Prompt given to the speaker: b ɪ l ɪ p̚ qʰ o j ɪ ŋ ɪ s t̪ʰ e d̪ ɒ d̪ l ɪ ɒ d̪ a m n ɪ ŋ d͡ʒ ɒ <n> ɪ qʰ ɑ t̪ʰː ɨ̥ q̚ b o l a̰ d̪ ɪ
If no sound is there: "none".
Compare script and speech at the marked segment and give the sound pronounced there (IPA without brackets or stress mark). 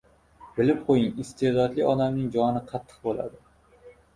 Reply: n